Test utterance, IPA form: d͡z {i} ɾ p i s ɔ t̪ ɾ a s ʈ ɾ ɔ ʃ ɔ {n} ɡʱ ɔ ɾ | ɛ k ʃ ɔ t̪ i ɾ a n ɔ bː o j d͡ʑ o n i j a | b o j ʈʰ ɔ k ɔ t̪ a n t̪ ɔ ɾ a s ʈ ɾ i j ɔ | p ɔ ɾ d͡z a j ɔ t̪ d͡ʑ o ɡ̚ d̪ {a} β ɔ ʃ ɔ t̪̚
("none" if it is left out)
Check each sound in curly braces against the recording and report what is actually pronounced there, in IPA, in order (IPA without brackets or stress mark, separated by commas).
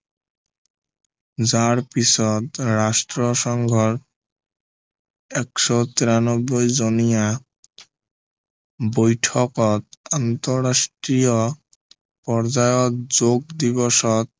a, ŋ, i